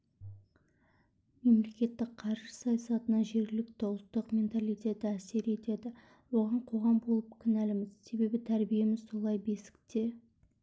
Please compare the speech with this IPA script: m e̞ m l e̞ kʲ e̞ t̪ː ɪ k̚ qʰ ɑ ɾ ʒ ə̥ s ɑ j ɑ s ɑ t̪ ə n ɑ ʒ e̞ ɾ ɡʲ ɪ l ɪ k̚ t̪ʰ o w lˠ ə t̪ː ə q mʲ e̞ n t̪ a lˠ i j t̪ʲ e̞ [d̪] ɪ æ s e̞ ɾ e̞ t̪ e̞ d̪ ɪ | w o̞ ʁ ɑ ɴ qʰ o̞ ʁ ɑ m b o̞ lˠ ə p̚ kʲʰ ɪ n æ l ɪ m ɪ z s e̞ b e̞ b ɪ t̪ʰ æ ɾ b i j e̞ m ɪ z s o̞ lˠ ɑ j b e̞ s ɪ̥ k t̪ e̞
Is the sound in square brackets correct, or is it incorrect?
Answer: incorrect